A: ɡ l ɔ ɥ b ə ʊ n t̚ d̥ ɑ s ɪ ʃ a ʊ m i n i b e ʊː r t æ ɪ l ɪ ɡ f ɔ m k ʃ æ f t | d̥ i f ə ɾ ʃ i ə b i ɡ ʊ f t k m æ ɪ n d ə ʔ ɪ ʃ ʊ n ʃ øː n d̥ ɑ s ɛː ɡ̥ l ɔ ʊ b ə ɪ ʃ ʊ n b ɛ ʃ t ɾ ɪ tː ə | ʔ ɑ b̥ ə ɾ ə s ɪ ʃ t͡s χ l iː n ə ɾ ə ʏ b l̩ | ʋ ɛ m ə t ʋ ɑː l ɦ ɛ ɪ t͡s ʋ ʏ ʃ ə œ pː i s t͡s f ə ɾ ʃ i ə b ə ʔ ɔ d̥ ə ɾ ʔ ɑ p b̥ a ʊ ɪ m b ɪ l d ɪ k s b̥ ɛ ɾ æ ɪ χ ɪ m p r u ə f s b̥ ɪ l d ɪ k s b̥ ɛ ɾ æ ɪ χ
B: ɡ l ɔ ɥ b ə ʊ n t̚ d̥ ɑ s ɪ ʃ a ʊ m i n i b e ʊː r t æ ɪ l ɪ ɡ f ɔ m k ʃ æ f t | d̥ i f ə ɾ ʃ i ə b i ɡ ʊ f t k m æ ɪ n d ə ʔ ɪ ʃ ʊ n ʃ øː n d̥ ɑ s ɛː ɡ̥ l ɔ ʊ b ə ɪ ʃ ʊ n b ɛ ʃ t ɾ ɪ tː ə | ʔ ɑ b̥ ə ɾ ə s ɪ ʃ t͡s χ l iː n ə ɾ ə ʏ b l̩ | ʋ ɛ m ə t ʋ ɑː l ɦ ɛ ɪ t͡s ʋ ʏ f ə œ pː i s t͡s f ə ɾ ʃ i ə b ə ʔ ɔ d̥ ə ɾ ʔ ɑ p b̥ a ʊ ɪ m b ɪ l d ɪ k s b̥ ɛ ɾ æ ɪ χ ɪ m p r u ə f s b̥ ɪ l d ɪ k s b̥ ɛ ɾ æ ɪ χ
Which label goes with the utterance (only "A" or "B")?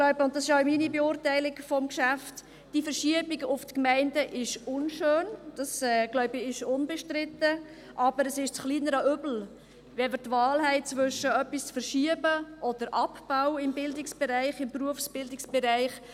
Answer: A